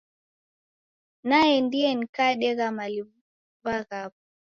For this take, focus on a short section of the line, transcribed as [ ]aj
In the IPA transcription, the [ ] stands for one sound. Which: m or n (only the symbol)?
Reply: n